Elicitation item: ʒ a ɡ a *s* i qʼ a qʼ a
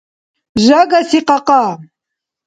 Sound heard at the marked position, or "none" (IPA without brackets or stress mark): s